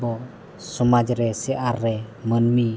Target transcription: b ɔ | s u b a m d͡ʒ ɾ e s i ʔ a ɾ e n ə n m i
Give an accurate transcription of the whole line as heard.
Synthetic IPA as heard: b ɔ | s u m a d͡ʒ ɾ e s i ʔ a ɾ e m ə n m i

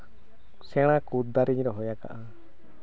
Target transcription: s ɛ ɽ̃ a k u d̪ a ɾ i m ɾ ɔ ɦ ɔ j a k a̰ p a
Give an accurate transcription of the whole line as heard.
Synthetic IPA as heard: s ɛ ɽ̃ a k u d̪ a ɾ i ɲ ɾ ɔ ɦ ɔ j a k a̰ ʔ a

